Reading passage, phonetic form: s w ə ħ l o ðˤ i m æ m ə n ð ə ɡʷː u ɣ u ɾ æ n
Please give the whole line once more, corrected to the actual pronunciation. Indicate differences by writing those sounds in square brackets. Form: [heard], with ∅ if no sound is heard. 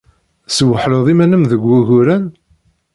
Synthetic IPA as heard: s w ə ħ l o ðˤ i m æ [n] ə [m] ð ə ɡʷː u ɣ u ɾ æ n